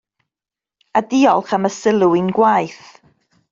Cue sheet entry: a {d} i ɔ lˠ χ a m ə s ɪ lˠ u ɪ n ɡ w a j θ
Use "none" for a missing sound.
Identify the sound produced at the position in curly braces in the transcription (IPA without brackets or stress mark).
d